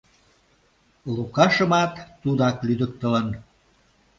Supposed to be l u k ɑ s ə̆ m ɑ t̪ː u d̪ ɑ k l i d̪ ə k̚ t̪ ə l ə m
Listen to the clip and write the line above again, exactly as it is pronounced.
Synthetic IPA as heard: l u k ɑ ʃ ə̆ m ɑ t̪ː u d̪ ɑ k l y d̪ ə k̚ t̪ ə l ə n